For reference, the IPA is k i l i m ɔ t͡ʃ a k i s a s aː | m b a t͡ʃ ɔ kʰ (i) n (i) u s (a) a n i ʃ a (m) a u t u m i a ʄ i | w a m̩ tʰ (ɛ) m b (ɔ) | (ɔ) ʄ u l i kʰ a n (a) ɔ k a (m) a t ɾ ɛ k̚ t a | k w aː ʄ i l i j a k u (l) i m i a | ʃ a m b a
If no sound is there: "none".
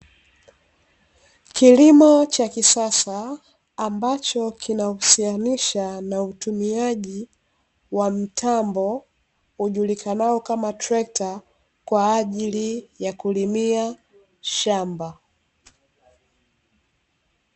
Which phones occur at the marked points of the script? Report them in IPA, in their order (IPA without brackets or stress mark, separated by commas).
i, a, i, n, a, ɔ, u, a, m, l